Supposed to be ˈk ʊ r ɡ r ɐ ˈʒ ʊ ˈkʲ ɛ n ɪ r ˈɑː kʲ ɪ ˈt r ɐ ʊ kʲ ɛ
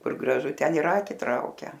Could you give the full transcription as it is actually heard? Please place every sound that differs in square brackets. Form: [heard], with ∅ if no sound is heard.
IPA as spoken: ˈk ʊ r ɡ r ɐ ˈʒ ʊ [ˈtʲ] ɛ n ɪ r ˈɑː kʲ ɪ ˈt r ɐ ʊ kʲ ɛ